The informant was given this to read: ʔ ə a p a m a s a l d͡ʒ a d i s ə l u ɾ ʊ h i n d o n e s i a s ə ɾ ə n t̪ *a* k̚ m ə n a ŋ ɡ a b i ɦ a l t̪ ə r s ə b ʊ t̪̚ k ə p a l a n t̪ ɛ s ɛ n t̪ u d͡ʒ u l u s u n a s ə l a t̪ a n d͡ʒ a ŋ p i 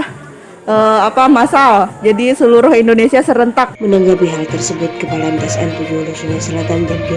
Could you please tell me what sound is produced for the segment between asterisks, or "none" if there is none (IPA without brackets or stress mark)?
a